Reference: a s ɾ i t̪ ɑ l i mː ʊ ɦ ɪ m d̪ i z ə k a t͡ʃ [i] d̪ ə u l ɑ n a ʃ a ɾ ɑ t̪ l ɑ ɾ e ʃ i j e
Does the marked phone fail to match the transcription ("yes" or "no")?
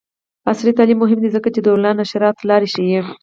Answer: yes